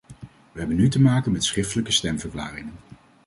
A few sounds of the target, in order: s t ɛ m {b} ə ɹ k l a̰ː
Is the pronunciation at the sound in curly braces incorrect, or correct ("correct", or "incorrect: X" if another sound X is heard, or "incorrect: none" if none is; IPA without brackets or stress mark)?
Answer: incorrect: v